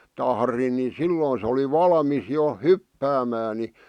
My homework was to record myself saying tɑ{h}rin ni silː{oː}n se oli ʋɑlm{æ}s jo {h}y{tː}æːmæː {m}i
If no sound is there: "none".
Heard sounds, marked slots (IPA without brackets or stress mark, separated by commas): h, oː, i, h, pː, n